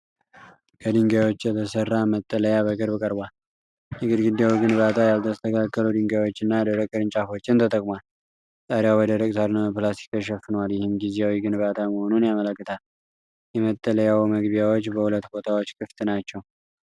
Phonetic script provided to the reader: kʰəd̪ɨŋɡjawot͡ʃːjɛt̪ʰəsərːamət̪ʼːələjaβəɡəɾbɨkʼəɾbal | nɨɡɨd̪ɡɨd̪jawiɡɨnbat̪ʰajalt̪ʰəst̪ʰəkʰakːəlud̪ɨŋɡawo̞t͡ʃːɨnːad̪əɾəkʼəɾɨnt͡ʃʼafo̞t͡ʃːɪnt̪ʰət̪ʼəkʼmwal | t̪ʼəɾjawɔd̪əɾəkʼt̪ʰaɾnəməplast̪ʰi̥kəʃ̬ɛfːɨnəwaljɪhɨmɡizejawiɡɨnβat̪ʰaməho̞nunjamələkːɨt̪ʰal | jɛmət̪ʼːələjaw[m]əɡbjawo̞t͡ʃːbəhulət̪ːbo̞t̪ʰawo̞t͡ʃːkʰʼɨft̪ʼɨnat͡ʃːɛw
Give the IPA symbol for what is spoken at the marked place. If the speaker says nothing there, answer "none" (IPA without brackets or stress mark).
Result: m